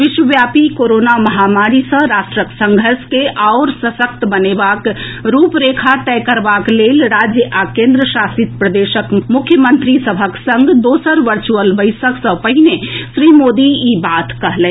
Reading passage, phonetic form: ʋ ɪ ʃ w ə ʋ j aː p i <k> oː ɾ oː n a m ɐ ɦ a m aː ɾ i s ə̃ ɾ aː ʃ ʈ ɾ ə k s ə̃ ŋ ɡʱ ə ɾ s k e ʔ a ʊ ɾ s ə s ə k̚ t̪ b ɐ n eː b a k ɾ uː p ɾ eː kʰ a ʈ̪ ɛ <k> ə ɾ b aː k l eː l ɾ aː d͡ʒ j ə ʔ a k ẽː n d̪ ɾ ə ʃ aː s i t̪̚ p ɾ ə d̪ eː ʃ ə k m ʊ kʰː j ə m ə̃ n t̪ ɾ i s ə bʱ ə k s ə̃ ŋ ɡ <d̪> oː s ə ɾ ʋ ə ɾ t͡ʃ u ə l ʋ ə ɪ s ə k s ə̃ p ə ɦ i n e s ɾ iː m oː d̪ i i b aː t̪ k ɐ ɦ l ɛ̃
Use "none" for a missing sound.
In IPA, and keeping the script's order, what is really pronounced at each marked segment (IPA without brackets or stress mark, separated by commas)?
k, k, d̪